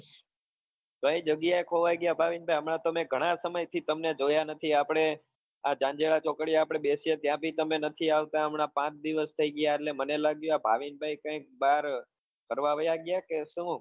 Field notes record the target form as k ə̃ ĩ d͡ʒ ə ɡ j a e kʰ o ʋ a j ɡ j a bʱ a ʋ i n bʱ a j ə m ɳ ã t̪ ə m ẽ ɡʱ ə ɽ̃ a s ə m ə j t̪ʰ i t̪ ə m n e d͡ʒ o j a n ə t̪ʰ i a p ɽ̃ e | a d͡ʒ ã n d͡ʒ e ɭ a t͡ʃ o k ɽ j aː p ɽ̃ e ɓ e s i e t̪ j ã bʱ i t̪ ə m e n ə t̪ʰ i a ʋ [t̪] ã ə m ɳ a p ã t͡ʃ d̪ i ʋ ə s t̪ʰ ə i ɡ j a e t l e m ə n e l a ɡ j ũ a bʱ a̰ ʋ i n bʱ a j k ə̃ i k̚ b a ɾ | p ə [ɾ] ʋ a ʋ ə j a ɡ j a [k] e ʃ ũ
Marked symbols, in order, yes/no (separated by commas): yes, yes, yes